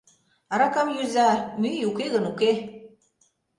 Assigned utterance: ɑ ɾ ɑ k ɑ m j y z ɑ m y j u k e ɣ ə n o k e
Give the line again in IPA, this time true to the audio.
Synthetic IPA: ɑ ɾ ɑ k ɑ m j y z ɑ m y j u k e ɣ ə n u k e

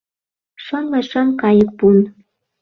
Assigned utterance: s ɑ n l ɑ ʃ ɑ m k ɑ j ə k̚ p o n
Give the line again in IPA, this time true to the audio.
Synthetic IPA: ʃ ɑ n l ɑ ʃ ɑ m k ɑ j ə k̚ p u n

